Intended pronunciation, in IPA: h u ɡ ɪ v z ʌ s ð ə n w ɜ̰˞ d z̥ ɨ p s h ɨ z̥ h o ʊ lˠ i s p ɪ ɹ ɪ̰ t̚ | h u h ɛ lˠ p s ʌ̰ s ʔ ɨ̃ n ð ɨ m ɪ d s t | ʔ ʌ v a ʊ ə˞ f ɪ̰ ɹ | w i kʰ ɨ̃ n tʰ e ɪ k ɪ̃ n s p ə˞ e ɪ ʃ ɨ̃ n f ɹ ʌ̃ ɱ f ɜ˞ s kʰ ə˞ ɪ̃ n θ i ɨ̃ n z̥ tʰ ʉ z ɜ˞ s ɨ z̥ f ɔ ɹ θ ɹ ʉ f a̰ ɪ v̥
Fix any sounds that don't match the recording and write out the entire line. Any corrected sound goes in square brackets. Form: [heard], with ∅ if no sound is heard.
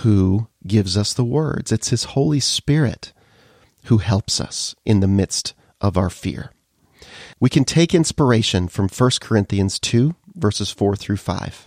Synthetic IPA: h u ɡ ɪ v z ʌ s ð ə [∅] w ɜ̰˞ d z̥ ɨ [t] s h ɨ z̥ h o ʊ lˠ i s p ɪ ɹ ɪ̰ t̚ | h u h ɛ lˠ p s ʌ̰ s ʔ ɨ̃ n ð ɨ m ɪ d s t | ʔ ʌ v a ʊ ə˞ f ɪ̰ ɹ | w i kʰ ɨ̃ n tʰ e ɪ k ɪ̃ n s p ə˞ e ɪ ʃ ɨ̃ n f ɹ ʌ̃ ɱ f ɜ˞ s kʰ ə˞ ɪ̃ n θ i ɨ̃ n z̥ tʰ ʉ [v] ɜ˞ s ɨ z̥ f ɔ ɹ θ ɹ ʉ f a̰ ɪ v̥